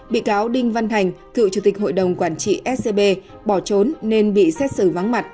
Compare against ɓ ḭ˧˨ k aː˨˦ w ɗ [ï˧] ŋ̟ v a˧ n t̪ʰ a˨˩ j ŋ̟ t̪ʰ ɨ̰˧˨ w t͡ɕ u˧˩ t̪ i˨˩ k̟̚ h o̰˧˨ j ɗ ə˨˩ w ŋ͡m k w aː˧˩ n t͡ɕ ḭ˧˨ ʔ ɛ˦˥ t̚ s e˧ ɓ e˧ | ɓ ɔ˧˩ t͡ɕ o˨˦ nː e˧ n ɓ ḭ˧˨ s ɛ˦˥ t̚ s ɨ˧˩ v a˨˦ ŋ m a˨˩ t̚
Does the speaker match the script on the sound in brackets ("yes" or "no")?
yes